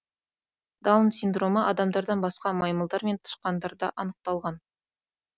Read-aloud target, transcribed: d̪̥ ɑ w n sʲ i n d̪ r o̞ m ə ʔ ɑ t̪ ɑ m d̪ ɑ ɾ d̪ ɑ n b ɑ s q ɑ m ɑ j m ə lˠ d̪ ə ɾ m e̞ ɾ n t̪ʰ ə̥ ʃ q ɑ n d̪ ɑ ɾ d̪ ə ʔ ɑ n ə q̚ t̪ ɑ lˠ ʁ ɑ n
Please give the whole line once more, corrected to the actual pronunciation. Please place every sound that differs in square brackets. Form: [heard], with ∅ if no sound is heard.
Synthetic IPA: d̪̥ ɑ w n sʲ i n d̪ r o̞ m ə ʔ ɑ [d̪] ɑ m d̪ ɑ ɾ d̪ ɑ n b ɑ s q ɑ m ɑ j m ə lˠ d̪ [ɑ] ɾ m e̞ [∅] n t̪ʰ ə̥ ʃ q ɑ n d̪ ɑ ɾ d̪ [ɑ] ʔ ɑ n ə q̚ t̪ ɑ lˠ ʁ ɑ n

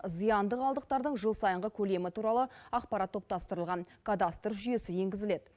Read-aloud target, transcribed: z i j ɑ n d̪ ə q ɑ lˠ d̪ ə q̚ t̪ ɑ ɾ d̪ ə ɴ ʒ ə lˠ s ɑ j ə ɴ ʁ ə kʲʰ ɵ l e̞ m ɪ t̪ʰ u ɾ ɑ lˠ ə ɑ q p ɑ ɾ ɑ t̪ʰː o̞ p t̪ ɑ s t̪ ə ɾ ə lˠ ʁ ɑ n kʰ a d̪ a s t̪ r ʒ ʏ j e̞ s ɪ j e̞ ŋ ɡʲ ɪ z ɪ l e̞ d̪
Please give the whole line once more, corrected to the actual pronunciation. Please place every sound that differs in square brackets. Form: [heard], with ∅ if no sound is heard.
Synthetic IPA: z i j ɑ n d̪ ə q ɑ lˠ d̪ ə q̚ t̪ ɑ ɾ d̪ ə ɴ ʒ ə lˠ s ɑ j ə ɴ ʁ ə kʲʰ ɵ l e̞ m ɪ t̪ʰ u ɾ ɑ lˠ ə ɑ q p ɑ ɾ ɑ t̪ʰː o̞ p t̪ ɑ s t̪ ə ɾ ə lˠ ʁ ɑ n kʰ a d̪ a s t̪ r ʒ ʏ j e̞ s ɪ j e̞ ŋ ɡʲ ɪ z ɪ l e̞ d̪

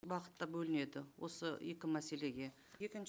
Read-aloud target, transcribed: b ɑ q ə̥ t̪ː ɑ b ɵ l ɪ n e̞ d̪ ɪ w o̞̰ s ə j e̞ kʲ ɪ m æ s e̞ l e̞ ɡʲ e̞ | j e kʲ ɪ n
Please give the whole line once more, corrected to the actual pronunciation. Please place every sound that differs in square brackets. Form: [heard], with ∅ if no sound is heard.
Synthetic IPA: b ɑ q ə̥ t̪ː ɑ b ɵ l ɪ n e̞ d̪ ɪ w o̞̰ s ə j e̞ kʲ ɪ m æ s e̞ l e̞ ɡʲ e̞ | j e kʲ ɪ n

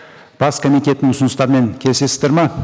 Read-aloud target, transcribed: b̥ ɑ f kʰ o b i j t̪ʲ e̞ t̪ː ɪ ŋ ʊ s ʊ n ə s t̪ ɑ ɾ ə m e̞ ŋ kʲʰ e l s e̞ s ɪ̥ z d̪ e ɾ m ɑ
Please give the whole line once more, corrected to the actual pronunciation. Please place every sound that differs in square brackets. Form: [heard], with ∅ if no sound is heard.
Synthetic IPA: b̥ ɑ [s] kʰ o [m] i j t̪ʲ e̞ t̪ː ɪ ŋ ʊ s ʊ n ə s t̪ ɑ ɾ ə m e̞ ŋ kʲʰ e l s e̞ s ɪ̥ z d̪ e ɾ m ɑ

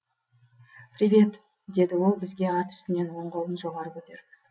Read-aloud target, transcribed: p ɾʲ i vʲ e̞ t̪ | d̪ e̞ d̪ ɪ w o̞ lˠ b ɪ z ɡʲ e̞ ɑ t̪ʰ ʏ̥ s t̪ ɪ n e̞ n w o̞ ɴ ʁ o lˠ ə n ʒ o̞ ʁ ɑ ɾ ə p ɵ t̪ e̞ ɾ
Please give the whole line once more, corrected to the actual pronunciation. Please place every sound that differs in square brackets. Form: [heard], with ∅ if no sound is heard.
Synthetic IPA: p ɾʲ i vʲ e̞ t̪ | d̪ e̞ d̪ ɪ w o̞ lˠ b ɪ z ɡʲ e̞ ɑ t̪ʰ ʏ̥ s t̪ ɪ n e̞ n w o̞ ɴ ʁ o lˠ ə n ʒ o̞ ʁ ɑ ɾ ə p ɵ t̪ e̞ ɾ

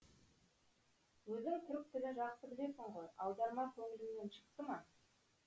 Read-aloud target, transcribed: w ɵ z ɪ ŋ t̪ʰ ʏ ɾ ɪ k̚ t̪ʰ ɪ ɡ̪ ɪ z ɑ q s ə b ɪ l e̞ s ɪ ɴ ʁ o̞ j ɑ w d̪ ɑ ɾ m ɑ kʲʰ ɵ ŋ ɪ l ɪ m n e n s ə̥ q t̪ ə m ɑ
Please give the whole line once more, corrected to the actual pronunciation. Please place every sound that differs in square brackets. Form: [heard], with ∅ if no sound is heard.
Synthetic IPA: w ɵ z ɪ ŋ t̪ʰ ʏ ɾ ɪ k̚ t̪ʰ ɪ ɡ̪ ɪ [ʒ] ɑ q s ə b ɪ l e̞ s ɪ ɴ ʁ o̞ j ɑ w d̪ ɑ ɾ m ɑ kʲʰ ɵ ŋ ɪ l ɪ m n e n [ʃ] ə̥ q t̪ ə m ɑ

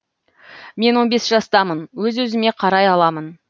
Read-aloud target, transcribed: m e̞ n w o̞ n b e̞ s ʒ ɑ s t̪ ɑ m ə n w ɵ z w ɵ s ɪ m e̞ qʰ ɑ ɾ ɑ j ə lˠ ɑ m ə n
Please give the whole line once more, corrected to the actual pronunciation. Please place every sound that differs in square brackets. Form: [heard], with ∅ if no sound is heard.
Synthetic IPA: m e̞ n w o̞ n b e̞ s ʒ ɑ s t̪ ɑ m ə n w ɵ z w ɵ [z] ɪ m e̞ qʰ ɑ ɾ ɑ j [ɑ] lˠ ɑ m ə n

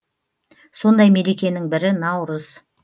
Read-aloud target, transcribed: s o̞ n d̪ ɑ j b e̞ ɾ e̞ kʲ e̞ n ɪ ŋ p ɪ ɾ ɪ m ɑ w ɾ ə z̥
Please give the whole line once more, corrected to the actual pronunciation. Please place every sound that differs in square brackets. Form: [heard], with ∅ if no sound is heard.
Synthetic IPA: s o̞ n d̪ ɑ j [m] e̞ ɾ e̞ kʲ e̞ n ɪ ŋ [b] ɪ ɾ ɪ [n] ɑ w ɾ ə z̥

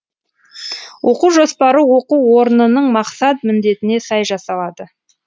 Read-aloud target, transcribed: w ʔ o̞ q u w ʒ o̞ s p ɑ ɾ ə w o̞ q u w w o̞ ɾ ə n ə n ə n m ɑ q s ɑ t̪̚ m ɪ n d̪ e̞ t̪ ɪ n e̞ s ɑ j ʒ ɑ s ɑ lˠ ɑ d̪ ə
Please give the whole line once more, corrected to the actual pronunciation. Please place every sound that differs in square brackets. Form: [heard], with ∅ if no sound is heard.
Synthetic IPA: w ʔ o̞ q u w ʒ o̞ s p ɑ ɾ ə w o̞ q u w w o̞ ɾ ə n ə n ə [ɴ] m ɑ q s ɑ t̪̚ m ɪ n d̪ e̞ t̪ ɪ n e̞ s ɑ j ʒ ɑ s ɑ lˠ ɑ d̪ ə

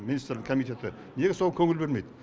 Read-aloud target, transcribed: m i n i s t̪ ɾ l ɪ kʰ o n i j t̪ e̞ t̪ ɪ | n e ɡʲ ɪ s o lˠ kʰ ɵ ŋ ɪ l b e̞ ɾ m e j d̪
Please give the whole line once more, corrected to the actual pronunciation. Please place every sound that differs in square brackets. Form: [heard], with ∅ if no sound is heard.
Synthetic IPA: m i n i s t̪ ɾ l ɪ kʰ o [m] i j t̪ e̞ t̪ ɪ | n e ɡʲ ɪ s o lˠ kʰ ɵ ŋ ɪ l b e̞ ɾ m e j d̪

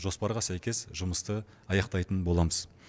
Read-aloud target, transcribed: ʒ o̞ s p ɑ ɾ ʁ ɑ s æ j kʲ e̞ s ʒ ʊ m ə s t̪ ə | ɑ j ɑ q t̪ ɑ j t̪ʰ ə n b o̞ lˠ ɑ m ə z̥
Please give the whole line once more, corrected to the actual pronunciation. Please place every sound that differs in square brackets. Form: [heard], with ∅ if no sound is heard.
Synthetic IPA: ʒ o̞ s p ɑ ɾ ʁ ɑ s æ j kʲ e̞ s ʒ ʊ m ə s t̪ ə | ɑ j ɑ q t̪ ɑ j [t̪] ə n b o̞ lˠ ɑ m ə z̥

